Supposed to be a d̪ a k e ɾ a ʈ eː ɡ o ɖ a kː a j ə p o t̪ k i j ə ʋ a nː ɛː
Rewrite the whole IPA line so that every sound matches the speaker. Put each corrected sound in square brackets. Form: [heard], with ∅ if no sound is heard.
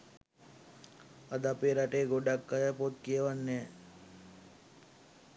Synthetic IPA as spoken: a d̪ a [p] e ɾ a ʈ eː ɡ o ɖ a kː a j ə p o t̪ k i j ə ʋ a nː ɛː